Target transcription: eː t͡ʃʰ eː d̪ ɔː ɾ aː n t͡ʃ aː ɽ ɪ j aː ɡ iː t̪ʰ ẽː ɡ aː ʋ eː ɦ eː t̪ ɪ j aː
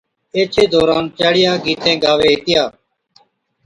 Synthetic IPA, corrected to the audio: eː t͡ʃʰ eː d̪ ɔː ɾ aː n t͡ʃ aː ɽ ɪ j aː ɡ iː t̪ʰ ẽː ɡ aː ʋ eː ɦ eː t̪ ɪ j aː

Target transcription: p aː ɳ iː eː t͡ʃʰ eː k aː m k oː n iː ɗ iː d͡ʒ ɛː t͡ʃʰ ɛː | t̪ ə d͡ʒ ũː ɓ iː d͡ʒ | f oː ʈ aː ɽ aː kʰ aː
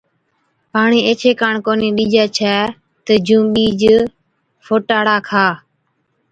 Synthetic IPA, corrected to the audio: p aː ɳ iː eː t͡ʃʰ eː k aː ɳ k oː n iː ɗ iː d͡ʒ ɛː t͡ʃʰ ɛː | t̪ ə d͡ʒ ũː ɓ iː d͡ʒ | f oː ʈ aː ɽ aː kʰ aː

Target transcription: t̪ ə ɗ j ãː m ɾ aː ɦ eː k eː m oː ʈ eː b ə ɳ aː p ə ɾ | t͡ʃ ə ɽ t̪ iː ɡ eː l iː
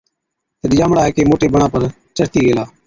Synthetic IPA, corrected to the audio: t̪ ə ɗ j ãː m ɽ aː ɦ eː k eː m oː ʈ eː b ə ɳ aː p ə ɾ | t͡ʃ ə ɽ t̪ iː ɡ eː l aː

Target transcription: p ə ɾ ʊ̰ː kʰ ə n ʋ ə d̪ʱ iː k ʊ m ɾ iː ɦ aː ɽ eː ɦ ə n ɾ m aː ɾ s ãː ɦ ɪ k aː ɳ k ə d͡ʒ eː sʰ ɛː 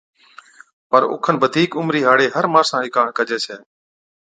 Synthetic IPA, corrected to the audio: p ə ɾ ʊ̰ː kʰ ə n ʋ ə d̪ʱ iː k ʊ m ɾ iː ɦ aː ɽ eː ɦ ə ɾ m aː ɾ s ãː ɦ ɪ k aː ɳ k ə d͡ʒ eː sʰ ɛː

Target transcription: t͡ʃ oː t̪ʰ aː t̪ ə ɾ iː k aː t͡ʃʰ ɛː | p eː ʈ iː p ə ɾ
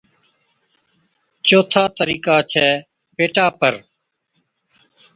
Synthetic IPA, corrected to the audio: t͡ʃ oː t̪ʰ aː t̪ ə ɾ iː k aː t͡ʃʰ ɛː | p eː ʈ aː p ə ɾ

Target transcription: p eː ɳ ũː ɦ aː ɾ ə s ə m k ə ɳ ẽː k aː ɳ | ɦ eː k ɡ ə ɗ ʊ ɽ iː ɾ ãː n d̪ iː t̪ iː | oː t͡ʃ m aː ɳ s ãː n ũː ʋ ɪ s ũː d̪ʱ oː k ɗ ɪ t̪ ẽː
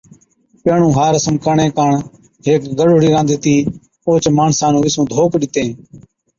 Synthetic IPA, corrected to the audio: p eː ɳ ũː ɦ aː ɾ ə s ə m k ə ɳ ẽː k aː ɳ | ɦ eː k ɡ ə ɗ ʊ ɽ iː ɾ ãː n d̪ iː t̪ iː | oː t͡ʃ m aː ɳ s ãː n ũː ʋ ɪ s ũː d̪ʱ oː k ɗ ɪ t̪ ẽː

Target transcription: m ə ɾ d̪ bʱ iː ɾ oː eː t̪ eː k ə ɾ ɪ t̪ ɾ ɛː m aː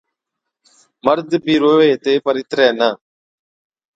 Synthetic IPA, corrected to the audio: m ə ɾ d̪ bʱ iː ɾ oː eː t̪ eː p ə ɾ ɪ t̪ ɾ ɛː n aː

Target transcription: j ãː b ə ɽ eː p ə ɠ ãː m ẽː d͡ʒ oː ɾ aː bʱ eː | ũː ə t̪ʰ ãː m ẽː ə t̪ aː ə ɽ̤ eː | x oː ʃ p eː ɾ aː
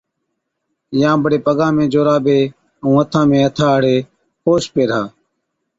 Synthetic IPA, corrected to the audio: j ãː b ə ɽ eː p ə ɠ ãː m ẽː d͡ʒ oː ɾ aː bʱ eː | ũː ə t̪ʰ ãː m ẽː ə t̪ʰ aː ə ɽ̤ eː | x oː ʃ p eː ɾ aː

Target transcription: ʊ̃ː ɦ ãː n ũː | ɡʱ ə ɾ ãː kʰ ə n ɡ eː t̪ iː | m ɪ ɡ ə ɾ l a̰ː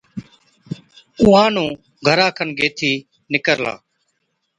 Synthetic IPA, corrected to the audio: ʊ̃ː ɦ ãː n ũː | ɡʱ ə ɾ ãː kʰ ə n ɡ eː t̪ʰ iː | n ɪ k ə ɾ l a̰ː

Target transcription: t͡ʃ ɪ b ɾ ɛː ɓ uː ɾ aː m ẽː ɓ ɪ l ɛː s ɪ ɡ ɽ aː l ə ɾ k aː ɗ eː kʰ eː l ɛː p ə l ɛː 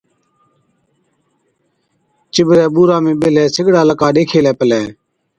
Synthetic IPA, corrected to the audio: t͡ʃ ɪ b ɾ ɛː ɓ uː ɾ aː m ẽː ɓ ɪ l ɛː s ɪ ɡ ɽ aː l ə k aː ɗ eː kʰ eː l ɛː p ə l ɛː

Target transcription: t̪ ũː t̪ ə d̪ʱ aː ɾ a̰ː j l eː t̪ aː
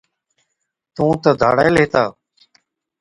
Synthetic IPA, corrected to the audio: t̪ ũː t̪ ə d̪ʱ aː ɽ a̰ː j l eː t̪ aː

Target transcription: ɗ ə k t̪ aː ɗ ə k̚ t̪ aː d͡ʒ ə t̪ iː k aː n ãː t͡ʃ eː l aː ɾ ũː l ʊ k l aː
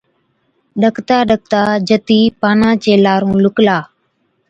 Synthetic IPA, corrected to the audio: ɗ ə k t̪ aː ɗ ə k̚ t̪ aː d͡ʒ ə t̪ iː p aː n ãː t͡ʃ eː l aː ɾ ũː l ʊ k l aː

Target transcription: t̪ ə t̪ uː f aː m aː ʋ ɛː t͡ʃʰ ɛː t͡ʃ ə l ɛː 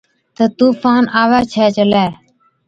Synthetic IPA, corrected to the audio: t̪ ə t̪ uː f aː n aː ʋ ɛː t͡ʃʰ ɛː t͡ʃ ə l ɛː

